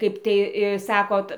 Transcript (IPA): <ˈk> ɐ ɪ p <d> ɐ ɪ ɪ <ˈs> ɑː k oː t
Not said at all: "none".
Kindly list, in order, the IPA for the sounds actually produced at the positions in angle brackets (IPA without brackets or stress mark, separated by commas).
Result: k, t, s